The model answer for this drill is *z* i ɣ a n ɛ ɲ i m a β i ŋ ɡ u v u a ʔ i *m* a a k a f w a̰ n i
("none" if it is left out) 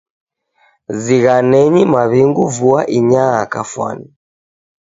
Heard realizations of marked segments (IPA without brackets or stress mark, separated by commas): z, ɲ